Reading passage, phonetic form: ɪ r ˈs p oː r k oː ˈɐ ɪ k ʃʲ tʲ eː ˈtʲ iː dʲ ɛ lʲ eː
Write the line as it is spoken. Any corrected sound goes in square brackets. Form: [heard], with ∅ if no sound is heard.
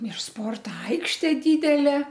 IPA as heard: ɪ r ˈs p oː r [t] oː ˈɐ ɪ k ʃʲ tʲ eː [ˈdʲ] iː dʲ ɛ lʲ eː

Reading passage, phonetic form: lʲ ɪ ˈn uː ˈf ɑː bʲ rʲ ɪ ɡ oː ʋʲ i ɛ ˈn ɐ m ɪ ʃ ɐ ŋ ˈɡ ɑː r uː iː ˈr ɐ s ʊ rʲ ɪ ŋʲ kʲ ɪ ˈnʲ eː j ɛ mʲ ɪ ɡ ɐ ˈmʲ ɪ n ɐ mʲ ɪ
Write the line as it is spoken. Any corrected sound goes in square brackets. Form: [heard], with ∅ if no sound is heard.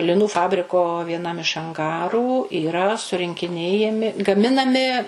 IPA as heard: lʲ ɪ ˈn uː ˈf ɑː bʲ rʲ ɪ [k] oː ʋʲ i ɛ ˈn ɐ m ɪ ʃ ɐ ŋ ˈɡ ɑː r uː iː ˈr ɐ s ʊ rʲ ɪ ŋʲ kʲ ɪ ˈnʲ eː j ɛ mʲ ɪ ɡ ɐ ˈmʲ ɪ n ɐ mʲ ɪ

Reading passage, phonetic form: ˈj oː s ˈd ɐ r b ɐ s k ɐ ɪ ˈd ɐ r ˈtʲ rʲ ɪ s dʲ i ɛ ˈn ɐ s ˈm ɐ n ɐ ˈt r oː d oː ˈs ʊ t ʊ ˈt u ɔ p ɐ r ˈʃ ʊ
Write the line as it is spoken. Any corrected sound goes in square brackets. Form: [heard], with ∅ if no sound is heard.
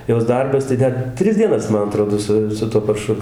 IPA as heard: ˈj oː s ˈd ɐ r b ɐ s [t] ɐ ɪ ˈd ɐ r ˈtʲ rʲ ɪ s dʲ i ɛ ˈn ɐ s ˈm ɐ n ɐ ˈt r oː d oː ˈs ʊ [s] ʊ ˈt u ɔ p ɐ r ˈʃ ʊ

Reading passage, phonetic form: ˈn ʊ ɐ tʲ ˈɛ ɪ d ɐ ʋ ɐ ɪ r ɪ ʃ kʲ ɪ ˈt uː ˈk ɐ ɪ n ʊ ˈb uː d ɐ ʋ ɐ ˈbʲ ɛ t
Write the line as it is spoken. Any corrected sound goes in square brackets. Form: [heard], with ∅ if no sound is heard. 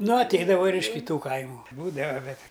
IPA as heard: ˈn ʊ ɐ tʲ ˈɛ ɪ d ɐ ʋ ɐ ɪ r ɪ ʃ kʲ ɪ ˈt uː ˈk ɐ ɪ [m] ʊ ˈb uː d ɐ ʋ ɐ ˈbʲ ɛ t

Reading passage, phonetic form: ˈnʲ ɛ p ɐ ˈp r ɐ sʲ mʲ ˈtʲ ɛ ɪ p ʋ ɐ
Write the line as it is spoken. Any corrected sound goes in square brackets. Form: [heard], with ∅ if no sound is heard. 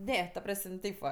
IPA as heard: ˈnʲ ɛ [t] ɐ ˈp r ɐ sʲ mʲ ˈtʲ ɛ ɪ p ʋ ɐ

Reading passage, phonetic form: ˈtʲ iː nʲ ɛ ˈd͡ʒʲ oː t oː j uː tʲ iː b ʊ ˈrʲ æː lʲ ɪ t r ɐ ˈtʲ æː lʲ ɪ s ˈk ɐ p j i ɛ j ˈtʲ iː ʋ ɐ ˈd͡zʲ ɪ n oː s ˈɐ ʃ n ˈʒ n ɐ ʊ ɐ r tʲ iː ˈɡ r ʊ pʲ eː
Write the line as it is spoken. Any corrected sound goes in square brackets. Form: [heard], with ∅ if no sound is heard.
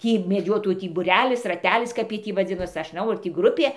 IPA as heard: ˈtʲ iː [mʲ] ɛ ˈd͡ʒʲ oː t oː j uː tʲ iː b ʊ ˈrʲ æː lʲ ɪ [s] r ɐ ˈtʲ æː lʲ ɪ s ˈk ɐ p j i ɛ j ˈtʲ iː ʋ ɐ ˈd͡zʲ ɪ n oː s ˈɐ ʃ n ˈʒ n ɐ ʊ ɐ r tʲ iː ˈɡ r ʊ pʲ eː

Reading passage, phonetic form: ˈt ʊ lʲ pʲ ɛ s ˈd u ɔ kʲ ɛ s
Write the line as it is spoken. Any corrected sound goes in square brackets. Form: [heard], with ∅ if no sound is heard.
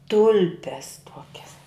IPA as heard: ˈt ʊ lʲ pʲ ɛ s [ˈt] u ɔ kʲ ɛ s

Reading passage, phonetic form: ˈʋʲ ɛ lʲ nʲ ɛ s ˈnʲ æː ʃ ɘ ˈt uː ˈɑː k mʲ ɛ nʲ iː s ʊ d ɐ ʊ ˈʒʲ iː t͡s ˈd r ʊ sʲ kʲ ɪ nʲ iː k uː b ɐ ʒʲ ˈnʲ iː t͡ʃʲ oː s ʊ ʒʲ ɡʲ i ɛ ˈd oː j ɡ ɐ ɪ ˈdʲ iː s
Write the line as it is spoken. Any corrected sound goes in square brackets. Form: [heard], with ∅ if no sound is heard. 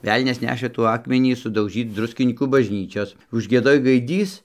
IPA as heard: ˈʋʲ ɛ lʲ nʲ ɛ s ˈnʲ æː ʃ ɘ ˈt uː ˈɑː k mʲ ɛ nʲ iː s ʊ d ɐ ʊ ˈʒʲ iː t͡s ˈd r ʊ sʲ kʲ ɪ nʲ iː k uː b ɐ ʒʲ ˈnʲ iː t͡ʃʲ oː s ʊ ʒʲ ɡʲ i ɛ ˈd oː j ɡ ɐ ɪ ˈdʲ iː s

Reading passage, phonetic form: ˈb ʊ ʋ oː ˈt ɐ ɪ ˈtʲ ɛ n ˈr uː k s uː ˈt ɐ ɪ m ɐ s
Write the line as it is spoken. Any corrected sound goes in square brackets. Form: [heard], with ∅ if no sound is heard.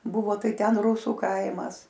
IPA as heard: ˈb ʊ ʋ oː ˈt ɐ ɪ ˈtʲ ɛ n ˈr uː [∅] s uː [ˈk] ɐ ɪ m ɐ s

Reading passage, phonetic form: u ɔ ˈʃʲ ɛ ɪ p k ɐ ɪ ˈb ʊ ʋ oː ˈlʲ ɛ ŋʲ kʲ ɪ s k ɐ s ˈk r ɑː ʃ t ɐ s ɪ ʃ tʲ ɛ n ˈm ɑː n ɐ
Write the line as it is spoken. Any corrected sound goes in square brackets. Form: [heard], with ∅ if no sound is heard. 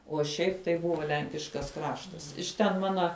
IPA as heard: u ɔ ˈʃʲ ɛ ɪ p [t] ɐ ɪ ˈb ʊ ʋ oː ˈlʲ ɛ ŋʲ kʲ ɪ [ʃ] k ɐ s ˈk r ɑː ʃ t ɐ s ɪ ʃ tʲ ɛ n ˈm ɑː n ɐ

